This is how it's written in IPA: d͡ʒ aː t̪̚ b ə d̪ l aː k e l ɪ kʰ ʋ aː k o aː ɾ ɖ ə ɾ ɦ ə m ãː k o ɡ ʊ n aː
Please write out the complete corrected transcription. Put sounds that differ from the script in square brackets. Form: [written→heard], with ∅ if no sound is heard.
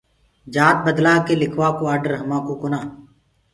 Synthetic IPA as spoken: d͡ʒ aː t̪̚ b ə d̪ l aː k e l ɪ kʰ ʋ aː k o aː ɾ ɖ ə ɾ ɦ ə m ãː k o [ɡ→k] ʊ n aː